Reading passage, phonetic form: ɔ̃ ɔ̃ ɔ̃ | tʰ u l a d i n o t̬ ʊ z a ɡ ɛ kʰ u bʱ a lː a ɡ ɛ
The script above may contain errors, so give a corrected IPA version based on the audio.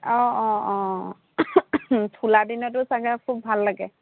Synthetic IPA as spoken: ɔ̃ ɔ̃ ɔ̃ | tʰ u l a d i n ɔ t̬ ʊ s a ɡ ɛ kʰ u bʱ a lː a ɡ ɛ